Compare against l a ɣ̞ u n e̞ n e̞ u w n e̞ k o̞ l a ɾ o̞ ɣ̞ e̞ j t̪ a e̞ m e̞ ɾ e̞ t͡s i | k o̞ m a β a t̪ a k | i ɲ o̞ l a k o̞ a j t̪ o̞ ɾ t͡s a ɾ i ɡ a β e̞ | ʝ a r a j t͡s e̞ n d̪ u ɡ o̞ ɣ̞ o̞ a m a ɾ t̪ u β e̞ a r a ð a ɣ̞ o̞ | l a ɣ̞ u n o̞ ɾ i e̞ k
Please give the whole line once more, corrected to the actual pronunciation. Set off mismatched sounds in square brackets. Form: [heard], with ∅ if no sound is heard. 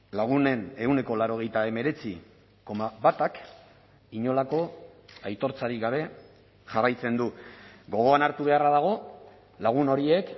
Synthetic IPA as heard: l a ɣ̞ u n e̞ n e̞ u w n e̞ k o̞ l a ɾ o̞ ɣ̞ e̞ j t̪ a e̞ m e̞ ɾ e̞ t͡s i | k o̞ m a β a t̪ a k | i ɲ o̞ l a k o̞ a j t̪ o̞ ɾ t͡s a ɾ i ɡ a β e̞ | ʝ a r a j t͡s e̞ n d̪ u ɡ o̞ ɣ̞ o̞ a [n] a ɾ t̪ u β e̞ a r a ð a ɣ̞ o̞ | l a ɣ̞ u n o̞ ɾ i e̞ k